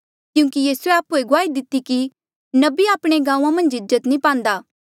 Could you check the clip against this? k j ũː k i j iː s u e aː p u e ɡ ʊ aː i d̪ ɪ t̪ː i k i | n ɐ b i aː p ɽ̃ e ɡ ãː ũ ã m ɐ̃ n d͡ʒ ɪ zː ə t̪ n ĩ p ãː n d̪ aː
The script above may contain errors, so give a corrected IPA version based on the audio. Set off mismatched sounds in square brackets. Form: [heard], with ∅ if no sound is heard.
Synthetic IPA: k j ũː k i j iː s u e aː p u e ɡ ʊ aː i d̪ ɪ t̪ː i k i | n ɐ b i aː p ɽ̃ e ɡ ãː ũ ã m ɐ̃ n d͡ʒ ɪ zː ə t̪ n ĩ p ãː n d̪ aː